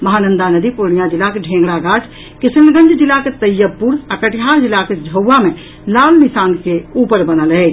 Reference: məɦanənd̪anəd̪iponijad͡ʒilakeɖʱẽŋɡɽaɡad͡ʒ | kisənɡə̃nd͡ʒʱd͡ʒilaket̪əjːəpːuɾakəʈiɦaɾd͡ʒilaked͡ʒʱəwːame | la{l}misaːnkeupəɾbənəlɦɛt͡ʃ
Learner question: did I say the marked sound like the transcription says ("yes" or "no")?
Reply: yes